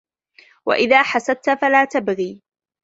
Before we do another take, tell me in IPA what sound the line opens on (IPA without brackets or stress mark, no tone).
w